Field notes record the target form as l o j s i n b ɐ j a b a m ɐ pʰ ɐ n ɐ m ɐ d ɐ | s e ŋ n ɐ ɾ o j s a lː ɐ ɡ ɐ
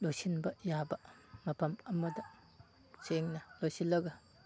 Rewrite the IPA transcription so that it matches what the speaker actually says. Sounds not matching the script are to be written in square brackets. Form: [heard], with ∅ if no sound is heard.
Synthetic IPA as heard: l o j s i n b ɐ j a b [ɐ] m ɐ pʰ ɐ [m] ɐ m ɐ d ɐ | s e ŋ n ɐ [l] o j s [i] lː ɐ ɡ ɐ